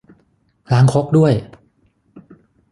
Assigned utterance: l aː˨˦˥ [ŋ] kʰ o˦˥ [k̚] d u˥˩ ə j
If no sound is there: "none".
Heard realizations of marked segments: ŋ, k̚

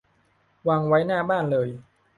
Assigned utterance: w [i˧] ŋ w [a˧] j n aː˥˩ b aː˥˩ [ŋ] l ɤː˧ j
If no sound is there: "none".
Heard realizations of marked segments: a˧, a˦˥, n

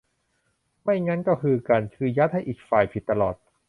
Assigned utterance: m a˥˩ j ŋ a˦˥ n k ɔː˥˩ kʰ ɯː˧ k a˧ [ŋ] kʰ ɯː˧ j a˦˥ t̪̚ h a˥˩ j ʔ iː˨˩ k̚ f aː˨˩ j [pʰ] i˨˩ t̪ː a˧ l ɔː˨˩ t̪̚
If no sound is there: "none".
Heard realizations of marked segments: n, pʰ

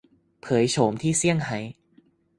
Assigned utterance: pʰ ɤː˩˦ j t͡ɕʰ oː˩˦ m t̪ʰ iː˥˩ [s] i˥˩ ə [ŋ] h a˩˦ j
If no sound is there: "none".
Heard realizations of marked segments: s, ŋ

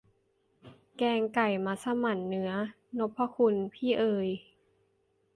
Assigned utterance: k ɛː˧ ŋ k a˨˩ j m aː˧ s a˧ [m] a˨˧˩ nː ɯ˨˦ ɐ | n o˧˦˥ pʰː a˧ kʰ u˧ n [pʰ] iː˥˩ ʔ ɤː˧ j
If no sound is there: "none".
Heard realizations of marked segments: m, pʰ

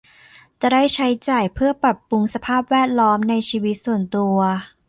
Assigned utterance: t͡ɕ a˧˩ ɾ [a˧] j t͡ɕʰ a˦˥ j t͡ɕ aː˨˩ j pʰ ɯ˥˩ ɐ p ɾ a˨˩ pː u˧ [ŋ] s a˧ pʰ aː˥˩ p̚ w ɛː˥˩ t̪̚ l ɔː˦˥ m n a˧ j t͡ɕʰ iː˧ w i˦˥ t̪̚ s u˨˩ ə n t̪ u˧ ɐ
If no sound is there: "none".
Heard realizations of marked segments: a˥˩, ŋ

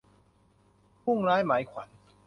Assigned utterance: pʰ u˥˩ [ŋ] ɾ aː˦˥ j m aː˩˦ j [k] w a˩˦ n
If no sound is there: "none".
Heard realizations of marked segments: ŋ, kʰ

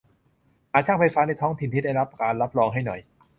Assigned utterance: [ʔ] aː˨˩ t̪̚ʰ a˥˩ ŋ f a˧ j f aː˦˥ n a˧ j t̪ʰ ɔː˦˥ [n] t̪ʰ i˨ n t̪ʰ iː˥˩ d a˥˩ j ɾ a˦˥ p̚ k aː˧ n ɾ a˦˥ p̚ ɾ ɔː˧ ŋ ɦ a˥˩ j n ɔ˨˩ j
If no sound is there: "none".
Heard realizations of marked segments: ʔ, ŋ

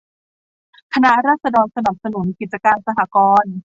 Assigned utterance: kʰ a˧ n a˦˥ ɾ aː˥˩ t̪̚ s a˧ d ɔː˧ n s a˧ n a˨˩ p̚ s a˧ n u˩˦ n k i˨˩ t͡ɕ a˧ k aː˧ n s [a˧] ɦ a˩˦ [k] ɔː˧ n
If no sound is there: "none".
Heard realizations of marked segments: a˧, k

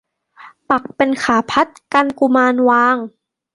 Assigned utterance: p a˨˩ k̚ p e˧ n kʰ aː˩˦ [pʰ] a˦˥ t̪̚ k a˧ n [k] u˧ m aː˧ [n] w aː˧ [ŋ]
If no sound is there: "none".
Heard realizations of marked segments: pʰ, k, n, ŋ

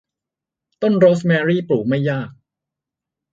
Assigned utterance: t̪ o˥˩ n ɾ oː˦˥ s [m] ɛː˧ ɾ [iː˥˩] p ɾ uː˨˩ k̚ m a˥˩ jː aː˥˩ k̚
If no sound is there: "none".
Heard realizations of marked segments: m, iː˥˩

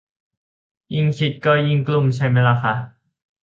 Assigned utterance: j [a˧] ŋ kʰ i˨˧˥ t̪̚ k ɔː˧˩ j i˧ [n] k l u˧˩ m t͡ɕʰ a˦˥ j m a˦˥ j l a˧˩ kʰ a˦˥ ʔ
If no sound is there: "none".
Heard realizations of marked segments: i˧, ŋ

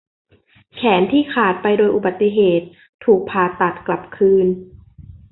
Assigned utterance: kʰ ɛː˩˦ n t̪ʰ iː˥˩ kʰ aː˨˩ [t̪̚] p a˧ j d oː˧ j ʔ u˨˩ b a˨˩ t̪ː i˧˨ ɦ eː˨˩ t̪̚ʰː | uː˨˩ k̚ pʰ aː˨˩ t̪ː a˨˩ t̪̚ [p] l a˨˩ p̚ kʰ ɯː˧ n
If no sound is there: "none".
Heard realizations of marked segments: t̪̚, k

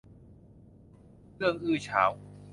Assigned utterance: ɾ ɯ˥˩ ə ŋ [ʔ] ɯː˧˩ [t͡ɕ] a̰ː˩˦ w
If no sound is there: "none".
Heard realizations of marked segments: ʔ, t͡ɕʰ

